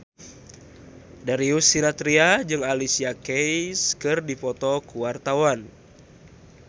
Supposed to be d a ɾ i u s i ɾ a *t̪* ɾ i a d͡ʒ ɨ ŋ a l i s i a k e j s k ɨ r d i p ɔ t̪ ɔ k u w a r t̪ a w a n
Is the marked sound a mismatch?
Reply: no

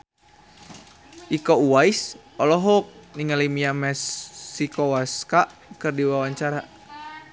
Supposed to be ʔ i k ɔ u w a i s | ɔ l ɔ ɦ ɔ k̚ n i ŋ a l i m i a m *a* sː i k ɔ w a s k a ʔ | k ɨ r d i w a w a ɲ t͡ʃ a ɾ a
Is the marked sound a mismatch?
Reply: yes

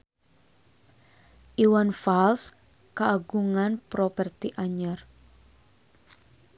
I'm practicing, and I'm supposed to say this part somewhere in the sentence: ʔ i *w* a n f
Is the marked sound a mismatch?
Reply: no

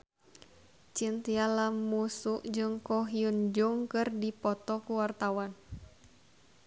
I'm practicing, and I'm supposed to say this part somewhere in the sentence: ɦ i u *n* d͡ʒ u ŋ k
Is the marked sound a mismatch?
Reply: no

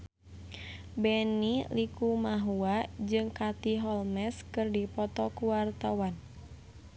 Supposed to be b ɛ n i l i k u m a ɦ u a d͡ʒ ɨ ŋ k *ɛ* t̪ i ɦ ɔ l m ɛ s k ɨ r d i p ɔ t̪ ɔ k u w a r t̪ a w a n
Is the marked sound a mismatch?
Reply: yes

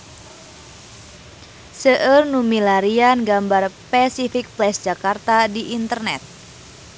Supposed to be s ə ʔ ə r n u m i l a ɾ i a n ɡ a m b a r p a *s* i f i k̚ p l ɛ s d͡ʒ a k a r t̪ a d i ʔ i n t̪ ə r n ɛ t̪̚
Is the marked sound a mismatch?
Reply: no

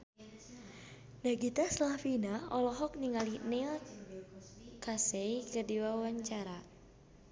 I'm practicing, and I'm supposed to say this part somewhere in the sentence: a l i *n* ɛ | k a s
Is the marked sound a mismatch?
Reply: no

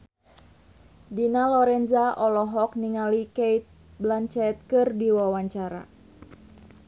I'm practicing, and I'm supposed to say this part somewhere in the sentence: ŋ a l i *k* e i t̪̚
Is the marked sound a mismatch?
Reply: no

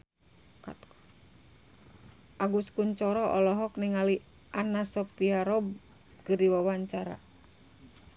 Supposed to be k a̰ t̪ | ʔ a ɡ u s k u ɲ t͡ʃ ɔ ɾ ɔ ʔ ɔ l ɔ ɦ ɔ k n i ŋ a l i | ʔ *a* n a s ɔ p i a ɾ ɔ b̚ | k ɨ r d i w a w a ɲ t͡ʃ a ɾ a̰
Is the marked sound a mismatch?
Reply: no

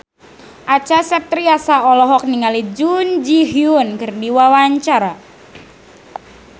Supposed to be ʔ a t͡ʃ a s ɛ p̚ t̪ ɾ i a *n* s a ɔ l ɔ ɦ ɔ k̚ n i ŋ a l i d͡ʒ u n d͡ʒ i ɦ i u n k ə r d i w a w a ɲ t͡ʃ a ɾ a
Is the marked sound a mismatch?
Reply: yes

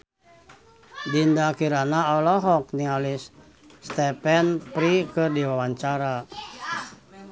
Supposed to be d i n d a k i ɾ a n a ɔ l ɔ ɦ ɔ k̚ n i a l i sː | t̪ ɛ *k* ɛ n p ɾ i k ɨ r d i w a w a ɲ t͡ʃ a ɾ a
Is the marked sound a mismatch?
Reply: yes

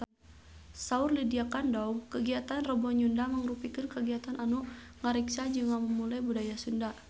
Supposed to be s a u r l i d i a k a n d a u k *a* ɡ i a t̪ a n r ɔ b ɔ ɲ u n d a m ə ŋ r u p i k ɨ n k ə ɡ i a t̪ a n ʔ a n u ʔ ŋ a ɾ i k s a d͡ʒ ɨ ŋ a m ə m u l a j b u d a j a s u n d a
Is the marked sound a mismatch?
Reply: yes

